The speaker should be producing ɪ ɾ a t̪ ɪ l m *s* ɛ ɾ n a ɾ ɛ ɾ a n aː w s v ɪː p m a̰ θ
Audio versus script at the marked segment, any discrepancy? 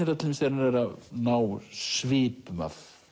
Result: no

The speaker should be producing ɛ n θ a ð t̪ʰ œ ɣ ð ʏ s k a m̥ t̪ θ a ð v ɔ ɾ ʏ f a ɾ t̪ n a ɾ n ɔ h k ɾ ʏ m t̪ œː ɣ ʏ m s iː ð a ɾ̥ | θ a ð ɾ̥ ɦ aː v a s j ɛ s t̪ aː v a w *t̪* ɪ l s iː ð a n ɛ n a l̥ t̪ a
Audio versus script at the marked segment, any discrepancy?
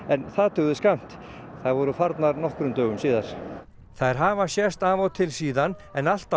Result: yes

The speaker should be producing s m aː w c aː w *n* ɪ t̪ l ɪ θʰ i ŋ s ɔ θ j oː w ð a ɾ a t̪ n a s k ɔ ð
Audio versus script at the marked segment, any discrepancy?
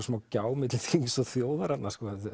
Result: yes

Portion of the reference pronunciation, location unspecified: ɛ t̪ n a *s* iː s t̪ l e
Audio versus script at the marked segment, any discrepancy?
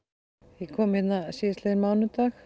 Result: no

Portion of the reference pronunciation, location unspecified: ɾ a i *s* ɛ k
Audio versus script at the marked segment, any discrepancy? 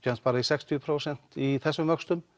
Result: no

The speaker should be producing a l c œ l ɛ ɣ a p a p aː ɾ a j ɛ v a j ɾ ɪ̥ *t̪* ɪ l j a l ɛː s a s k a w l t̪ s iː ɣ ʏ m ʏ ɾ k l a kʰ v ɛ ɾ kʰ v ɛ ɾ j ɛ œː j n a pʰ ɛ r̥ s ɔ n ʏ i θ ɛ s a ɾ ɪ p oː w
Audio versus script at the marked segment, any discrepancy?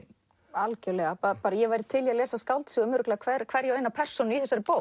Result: yes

